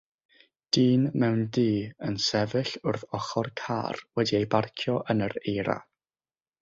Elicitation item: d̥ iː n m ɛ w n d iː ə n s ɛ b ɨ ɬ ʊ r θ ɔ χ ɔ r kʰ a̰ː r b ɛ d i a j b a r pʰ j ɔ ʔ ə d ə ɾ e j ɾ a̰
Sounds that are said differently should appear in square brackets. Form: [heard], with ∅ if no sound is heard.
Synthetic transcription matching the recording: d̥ iː n m ɛ w n d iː ə n s ɛ [v] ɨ ɬ ʊ r θ ɔ χ ɔ r kʰ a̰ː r [w] ɛ d i [e] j b a r [kʰ] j ɔ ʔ ə [n] ə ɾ e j ɾ a̰